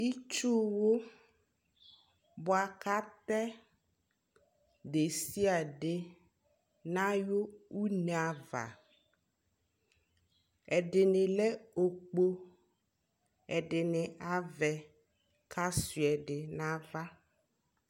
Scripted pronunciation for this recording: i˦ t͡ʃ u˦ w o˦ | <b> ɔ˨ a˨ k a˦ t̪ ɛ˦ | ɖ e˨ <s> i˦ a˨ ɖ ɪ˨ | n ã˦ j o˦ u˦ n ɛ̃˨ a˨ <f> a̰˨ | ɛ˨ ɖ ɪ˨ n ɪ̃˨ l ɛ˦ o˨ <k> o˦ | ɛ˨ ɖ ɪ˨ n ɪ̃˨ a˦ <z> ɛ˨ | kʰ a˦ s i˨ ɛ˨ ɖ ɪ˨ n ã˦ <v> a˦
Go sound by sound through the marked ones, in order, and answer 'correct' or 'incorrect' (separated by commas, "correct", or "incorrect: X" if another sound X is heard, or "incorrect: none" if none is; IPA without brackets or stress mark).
correct, correct, incorrect: v, incorrect: k͡p, incorrect: v, correct